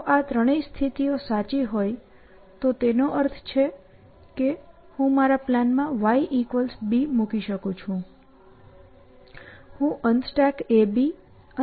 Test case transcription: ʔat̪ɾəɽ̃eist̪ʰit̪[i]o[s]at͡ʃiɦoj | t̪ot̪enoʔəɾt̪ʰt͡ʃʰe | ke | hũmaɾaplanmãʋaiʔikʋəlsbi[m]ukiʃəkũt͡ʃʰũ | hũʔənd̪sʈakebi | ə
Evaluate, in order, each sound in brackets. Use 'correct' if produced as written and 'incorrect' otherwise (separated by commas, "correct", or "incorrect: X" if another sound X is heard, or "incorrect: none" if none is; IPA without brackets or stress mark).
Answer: correct, correct, correct